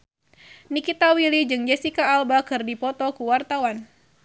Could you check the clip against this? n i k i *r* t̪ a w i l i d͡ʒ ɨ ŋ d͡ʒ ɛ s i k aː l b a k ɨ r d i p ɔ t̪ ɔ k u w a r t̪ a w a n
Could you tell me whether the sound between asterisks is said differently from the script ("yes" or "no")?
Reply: yes